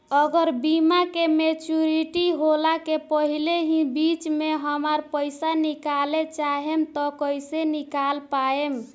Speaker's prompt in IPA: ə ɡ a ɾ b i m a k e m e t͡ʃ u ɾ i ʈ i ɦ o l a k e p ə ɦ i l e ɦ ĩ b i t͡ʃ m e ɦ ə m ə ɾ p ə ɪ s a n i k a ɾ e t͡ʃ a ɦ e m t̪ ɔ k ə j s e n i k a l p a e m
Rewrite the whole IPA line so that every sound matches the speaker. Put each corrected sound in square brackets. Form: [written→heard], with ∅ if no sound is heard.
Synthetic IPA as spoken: ə ɡ [a→ə] ɾ b i m a k e m e t͡ʃ u ɾ i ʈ i ɦ o l a k e p ə ɦ i l e ɦ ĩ b i t͡ʃ m e ɦ ə m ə ɾ p ə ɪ s a n i k a [ɾ→l] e t͡ʃ a ɦ e m t̪ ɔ k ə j s e n i k a l p a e m